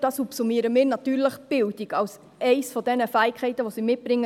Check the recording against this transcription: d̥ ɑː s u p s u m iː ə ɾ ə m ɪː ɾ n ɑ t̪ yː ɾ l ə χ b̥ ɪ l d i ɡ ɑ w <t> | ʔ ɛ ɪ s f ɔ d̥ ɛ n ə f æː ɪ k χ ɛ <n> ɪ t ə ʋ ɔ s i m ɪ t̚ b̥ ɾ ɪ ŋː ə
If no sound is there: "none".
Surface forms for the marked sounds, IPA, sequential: s, none

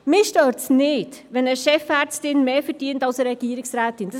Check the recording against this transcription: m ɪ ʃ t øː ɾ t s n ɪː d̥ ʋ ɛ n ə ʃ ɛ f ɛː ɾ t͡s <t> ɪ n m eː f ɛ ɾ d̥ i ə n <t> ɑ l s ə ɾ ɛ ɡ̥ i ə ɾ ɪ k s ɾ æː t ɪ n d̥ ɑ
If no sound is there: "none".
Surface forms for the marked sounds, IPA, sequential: t, t

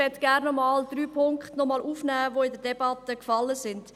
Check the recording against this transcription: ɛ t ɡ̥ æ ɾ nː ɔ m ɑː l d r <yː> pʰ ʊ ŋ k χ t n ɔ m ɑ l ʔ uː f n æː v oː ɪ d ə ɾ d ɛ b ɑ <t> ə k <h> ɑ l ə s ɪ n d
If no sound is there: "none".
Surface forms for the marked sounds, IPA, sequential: yː, t, f

